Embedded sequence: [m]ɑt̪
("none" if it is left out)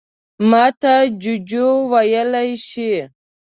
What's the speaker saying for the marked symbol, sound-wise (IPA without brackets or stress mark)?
m